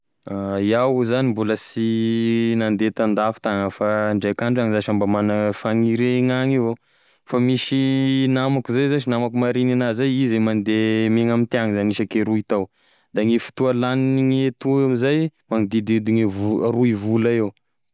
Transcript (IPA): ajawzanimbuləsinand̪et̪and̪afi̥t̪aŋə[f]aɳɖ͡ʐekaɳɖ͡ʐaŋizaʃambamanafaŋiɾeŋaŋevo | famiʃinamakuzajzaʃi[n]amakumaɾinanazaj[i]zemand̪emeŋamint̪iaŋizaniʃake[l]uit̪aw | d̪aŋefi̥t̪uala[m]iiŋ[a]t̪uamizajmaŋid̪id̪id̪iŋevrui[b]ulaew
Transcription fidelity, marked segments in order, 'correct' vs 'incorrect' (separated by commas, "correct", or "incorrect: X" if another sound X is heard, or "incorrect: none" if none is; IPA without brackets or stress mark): correct, correct, correct, incorrect: ɾ, incorrect: n, incorrect: e, incorrect: v